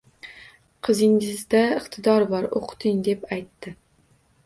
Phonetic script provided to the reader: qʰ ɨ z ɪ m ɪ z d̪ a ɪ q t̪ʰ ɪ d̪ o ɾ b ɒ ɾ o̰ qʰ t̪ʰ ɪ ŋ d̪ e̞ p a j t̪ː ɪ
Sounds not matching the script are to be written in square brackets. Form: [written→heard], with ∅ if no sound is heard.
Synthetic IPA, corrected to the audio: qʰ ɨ z ɪ [m→ŋ] ɪ z d̪ a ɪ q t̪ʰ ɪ d̪ [o→ɒ] ɾ b ɒ ɾ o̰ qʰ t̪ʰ ɪ ŋ d̪ e̞ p a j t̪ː ɪ